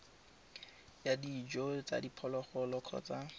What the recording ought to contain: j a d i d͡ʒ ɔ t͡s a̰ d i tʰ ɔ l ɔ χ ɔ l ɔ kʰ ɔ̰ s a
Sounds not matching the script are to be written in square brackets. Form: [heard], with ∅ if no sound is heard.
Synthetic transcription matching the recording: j a d i d͡ʒ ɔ t͡s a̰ d i [pʰ] ɔ l ɔ χ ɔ l ɔ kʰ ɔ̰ [t͡s] a

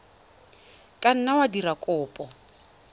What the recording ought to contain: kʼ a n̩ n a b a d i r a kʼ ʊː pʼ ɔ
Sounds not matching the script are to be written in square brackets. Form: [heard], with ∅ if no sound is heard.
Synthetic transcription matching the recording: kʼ a n̩ n a [w] a d i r a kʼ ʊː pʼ ɔ

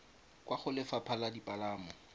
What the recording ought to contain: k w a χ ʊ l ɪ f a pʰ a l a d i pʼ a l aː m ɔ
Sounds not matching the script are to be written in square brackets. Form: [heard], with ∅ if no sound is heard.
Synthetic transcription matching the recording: k w a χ ʊ l ɪ f a pʰ a l a d i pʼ a l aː m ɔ

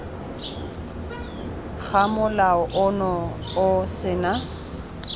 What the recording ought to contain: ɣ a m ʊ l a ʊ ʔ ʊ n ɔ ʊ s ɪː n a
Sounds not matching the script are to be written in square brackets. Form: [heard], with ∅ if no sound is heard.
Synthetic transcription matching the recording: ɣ a m ʊ l a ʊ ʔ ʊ n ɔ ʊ s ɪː n a

